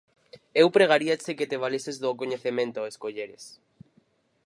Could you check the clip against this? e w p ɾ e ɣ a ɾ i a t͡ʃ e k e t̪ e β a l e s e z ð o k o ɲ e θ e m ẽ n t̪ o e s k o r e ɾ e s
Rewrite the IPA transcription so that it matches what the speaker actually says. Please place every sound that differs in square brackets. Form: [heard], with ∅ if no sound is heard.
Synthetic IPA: e w p ɾ e ɣ a ɾ i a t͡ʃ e k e t̪ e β a l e s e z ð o k o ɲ e θ e m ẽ n t̪ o e s k o [ʎ] e ɾ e s